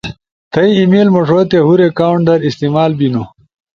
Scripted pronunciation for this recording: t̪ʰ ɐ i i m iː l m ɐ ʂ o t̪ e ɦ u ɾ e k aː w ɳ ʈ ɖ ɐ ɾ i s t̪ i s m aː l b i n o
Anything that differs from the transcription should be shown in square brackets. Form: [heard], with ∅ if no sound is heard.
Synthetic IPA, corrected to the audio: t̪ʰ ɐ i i m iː l m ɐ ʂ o t̪ e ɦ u ɾ e k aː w ɳ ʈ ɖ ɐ ɾ i s t̪ i [∅] m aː l b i n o

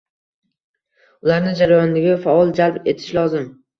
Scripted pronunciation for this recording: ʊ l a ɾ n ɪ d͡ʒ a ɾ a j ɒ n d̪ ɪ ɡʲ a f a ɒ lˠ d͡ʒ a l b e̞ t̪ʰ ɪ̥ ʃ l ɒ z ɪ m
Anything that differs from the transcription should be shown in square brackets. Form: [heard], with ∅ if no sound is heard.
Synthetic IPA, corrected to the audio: ʊ l a ɾ n ɪ d͡ʒ a ɾ a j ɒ n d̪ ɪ ɡʲ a f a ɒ lˠ d͡ʒ a l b e̞ t̪ʰ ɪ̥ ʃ l ɒ z ɪ m

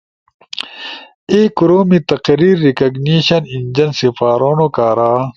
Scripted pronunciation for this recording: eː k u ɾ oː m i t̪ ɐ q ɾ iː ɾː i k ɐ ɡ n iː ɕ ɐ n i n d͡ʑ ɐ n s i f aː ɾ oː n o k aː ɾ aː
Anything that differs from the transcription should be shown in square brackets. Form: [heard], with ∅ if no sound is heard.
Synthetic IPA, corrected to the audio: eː k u ɾ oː m i t̪ ɐ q ɾ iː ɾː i k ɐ ɡ n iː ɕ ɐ n i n d͡ʑ ɐ n s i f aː ɾ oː n o k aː ɾ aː

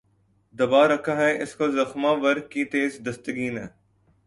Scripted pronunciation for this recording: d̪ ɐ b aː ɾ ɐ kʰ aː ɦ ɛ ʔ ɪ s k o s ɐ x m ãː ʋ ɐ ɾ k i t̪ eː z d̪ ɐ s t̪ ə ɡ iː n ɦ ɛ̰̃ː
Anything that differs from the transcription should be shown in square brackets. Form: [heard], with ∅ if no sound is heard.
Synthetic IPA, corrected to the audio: d̪ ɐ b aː ɾ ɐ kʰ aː ɦ ɛ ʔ ɪ s k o [z] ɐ x m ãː ʋ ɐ ɾ k i t̪ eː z d̪ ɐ s t̪ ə ɡ iː n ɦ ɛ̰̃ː

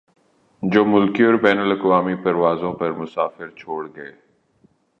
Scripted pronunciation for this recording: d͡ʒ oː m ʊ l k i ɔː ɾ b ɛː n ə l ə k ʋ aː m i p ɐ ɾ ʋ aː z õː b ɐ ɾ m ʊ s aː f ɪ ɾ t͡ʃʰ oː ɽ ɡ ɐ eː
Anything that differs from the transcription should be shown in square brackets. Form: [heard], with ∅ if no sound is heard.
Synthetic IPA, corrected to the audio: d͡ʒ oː m ʊ l k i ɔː ɾ b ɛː n ə l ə k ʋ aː m i p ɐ ɾ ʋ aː z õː [p] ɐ ɾ m ʊ s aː f ɪ ɾ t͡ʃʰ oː ɽ ɡ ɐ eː

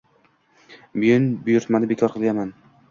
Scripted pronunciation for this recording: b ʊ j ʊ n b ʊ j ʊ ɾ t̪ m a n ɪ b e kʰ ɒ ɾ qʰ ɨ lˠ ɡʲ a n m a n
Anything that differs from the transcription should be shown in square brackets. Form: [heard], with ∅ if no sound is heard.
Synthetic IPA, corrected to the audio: b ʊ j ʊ n b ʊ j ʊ ɾ t̪ m a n ɪ b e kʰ ɒ ɾ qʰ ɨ lˠ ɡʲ a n m a n

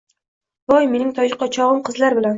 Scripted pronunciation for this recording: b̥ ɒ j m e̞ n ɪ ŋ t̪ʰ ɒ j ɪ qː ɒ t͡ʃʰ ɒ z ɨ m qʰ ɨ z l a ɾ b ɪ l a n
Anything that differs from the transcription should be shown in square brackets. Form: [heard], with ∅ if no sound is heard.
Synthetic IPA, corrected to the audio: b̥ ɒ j m e̞ n ɪ ŋ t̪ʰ ɒ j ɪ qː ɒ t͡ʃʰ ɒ [ʁ] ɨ m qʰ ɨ z l a ɾ b ɪ l a n

